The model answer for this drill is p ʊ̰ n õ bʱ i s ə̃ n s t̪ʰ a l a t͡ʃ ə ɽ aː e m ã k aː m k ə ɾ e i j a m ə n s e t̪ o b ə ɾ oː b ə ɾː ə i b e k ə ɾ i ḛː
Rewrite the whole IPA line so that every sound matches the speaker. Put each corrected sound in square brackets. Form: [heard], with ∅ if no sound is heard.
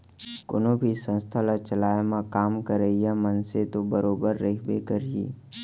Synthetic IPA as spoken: [k] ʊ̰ n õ bʱ i s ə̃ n s t̪ʰ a l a t͡ʃ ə [l] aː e m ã k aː m k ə ɾ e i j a m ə n s e t̪ o b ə ɾ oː b ə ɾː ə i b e k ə ɾ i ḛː